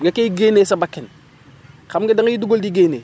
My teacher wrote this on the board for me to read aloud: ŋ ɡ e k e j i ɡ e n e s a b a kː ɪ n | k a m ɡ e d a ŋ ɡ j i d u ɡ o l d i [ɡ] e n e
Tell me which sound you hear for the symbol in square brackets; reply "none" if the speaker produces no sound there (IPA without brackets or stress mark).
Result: ɡ